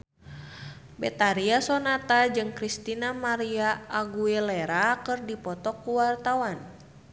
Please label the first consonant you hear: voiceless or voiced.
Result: voiced